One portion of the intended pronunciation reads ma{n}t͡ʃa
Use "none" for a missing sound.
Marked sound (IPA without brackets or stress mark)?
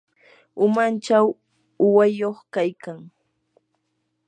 n